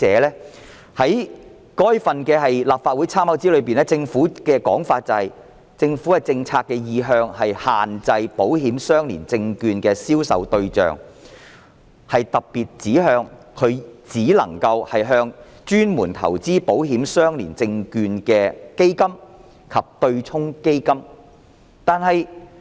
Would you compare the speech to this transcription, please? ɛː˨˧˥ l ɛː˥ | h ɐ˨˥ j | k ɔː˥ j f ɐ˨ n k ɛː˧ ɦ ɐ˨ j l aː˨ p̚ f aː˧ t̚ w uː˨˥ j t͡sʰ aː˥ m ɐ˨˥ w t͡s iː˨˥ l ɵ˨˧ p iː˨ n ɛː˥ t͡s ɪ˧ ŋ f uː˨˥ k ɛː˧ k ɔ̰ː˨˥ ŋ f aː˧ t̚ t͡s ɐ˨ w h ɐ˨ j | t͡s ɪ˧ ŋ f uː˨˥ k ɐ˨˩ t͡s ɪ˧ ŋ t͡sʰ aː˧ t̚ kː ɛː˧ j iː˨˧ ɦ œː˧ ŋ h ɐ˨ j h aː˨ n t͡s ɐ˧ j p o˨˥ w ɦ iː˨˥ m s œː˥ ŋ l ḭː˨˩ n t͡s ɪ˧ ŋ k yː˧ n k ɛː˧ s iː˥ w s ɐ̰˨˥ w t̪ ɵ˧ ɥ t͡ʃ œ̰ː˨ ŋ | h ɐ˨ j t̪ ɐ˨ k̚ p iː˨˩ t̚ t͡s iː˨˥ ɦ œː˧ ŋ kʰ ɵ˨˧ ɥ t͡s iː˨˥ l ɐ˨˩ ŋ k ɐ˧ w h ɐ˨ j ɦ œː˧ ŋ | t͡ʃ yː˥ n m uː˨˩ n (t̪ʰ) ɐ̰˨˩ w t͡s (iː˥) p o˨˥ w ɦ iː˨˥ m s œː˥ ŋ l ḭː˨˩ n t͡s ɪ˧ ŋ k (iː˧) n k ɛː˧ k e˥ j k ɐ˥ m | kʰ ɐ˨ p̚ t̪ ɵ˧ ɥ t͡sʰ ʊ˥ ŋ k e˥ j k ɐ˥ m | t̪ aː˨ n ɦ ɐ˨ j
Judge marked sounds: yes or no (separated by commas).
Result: yes, yes, no